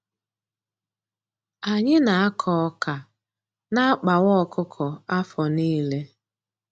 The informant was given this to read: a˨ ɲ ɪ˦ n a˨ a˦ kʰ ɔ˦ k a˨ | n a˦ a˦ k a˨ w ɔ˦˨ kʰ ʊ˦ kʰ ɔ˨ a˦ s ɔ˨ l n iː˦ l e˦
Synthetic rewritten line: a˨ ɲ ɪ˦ n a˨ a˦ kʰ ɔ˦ k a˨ | n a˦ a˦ k͡p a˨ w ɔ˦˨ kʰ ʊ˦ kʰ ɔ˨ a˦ f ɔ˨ n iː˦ l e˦